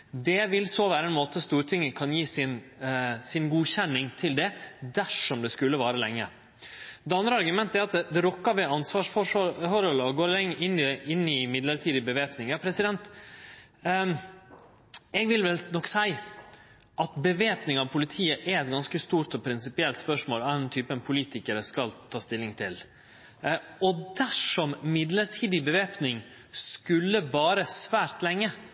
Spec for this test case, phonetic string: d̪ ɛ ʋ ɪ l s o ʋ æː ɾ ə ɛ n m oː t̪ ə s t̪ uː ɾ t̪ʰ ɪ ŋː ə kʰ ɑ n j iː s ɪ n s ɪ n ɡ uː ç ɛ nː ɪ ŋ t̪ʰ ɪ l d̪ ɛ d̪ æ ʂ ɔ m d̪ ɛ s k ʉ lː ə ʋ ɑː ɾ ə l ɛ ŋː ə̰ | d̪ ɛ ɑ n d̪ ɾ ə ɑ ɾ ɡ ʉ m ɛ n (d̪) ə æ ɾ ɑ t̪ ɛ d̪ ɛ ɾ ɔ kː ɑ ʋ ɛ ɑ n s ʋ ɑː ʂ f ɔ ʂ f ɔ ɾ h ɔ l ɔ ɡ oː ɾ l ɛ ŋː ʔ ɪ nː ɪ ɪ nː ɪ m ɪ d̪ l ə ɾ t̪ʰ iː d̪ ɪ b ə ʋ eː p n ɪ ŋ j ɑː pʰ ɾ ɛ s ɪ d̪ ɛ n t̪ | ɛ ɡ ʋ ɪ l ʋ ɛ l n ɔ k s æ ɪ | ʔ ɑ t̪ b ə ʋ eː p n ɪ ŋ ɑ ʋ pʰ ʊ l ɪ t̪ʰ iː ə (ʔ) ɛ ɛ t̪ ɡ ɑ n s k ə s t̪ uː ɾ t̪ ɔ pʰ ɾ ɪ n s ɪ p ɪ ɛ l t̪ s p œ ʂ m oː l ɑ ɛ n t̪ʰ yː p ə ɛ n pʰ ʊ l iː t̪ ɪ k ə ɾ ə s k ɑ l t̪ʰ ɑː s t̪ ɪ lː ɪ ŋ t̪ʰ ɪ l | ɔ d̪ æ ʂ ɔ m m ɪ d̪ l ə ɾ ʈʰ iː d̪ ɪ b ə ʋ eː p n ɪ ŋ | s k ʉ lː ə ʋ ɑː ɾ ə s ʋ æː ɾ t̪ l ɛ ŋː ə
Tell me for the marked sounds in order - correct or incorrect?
incorrect: t̪, correct

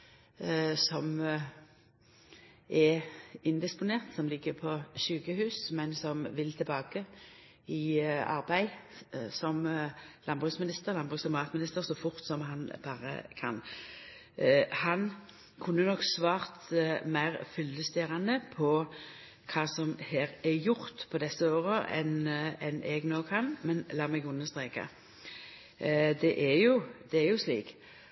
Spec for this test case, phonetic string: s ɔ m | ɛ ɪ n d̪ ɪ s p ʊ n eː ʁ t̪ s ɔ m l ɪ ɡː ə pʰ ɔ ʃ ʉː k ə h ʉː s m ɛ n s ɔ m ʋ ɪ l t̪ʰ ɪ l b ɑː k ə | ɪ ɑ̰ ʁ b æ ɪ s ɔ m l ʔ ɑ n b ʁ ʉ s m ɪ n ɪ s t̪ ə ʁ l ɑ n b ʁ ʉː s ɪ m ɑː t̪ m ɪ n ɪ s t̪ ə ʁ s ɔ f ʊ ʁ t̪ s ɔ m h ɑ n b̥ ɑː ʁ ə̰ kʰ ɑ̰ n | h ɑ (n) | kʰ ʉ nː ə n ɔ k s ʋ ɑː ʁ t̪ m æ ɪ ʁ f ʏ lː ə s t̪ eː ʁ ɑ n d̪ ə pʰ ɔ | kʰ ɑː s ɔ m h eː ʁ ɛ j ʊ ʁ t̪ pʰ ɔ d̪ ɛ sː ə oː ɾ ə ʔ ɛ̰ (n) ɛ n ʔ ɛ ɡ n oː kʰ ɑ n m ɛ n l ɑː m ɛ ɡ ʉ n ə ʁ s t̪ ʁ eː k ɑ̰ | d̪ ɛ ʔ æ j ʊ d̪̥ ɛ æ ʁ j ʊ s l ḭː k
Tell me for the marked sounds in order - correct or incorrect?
correct, correct

